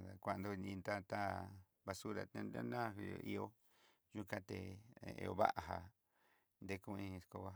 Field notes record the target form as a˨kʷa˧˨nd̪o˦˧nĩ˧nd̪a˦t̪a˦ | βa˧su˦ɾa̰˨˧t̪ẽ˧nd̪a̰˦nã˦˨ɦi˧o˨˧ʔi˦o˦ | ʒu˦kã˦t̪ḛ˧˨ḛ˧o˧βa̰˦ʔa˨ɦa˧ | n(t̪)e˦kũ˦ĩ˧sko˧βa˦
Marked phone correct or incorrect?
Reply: incorrect